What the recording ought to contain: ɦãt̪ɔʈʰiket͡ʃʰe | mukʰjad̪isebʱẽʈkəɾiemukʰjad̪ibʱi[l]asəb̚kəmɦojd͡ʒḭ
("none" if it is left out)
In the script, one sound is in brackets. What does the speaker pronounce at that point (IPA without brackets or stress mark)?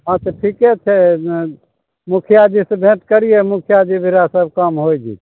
ɾ